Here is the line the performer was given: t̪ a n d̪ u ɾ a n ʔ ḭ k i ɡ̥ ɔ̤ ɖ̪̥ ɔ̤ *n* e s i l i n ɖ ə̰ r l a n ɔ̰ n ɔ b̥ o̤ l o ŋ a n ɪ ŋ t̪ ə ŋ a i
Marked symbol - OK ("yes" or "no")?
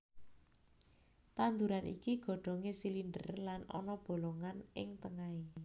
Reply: no